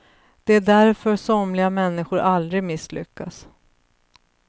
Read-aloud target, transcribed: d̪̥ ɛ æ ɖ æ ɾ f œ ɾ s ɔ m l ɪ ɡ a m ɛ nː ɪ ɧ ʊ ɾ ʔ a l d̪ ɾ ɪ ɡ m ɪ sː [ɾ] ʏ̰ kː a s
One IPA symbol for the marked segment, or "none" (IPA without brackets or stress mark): l